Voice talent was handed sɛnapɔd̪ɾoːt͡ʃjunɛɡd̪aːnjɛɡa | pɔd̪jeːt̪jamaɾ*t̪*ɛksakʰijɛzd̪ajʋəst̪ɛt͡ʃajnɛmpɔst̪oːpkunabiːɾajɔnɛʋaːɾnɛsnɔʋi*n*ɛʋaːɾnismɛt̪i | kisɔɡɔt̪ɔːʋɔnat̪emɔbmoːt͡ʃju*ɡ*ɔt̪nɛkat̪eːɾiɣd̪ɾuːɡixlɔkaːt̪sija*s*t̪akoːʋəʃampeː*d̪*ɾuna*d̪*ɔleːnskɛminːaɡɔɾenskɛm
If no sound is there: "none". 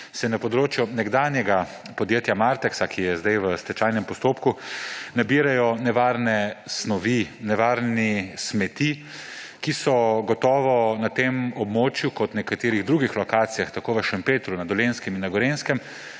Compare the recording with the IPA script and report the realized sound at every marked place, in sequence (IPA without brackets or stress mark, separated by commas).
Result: t̪, n, k, x, t̪, d̪